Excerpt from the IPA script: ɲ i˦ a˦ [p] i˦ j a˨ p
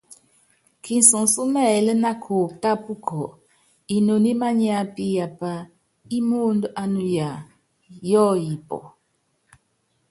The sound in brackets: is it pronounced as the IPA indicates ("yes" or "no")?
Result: yes